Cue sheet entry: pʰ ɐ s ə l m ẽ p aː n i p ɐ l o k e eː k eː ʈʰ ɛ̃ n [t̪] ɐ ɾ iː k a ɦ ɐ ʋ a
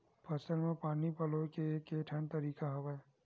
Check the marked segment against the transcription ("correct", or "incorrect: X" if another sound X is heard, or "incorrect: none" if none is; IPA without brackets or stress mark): correct